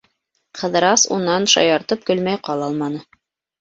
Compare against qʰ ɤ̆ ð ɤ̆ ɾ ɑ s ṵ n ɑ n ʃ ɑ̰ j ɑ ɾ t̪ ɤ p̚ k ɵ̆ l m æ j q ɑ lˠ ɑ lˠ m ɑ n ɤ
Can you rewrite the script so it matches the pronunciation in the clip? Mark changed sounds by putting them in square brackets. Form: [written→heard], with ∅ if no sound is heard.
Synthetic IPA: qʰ ɤ̆ ð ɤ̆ ɾ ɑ s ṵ n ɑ n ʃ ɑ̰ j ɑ ɾ t̪ ɤ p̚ k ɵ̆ l m æ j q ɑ lˠ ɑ lˠ m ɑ n ɤ